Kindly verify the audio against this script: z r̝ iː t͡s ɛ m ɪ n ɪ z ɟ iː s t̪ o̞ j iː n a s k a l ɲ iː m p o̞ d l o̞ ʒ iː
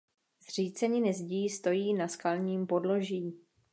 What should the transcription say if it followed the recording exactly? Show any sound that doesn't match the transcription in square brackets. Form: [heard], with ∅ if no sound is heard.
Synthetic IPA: z r̝ iː t͡s ɛ [ɲ] ɪ n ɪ z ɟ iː s t̪ o̞ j iː n a s k a l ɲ iː m p o̞ d l o̞ ʒ iː

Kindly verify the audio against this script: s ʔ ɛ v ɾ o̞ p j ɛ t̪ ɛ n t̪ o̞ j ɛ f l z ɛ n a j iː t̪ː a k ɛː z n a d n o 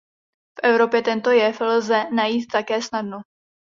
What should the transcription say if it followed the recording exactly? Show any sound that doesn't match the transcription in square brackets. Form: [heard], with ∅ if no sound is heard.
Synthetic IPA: [f] ʔ ɛ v ɾ o̞ p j ɛ t̪ ɛ n t̪ o̞ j ɛ f l z ɛ n a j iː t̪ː a k ɛː [s] n a d n o

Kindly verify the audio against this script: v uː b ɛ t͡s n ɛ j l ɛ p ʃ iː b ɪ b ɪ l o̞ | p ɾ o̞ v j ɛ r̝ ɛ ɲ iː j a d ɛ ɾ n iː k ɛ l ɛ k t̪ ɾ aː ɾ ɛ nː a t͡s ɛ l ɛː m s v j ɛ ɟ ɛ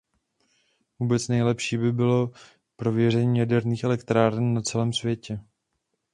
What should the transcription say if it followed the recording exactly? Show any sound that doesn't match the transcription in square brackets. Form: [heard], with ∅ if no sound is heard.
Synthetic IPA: v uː b ɛ t͡s n ɛ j l ɛ p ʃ iː b ɪ b ɪ l o̞ | p ɾ o̞ v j ɛ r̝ ɛ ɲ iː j a d ɛ ɾ n iː [x] ɛ l ɛ k t̪ ɾ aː ɾ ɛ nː a t͡s ɛ l ɛː m s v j ɛ [c] ɛ

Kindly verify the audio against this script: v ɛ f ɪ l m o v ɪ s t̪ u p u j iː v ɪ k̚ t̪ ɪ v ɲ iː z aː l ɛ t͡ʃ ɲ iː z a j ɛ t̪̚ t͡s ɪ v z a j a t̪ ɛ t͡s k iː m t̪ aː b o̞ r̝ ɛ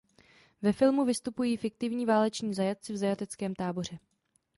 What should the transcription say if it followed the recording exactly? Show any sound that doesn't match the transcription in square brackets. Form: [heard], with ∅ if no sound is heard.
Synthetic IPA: v ɛ f ɪ l m [u] v ɪ s t̪ u p u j iː [f] ɪ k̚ t̪ ɪ v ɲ iː [v] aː l ɛ t͡ʃ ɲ iː z a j [a] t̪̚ t͡s ɪ v z a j a t̪ ɛ t͡s k [ɛː] m t̪ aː b o̞ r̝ ɛ

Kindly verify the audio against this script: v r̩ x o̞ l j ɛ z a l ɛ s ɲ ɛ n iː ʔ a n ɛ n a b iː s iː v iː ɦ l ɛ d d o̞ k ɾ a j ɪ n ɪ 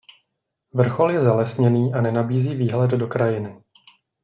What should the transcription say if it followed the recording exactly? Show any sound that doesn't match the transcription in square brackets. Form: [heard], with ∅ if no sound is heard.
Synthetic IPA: v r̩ x o̞ l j ɛ z a l ɛ s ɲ ɛ n iː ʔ a n ɛ n a b iː [z] iː v iː ɦ l ɛ d d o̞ k ɾ a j ɪ n ɪ

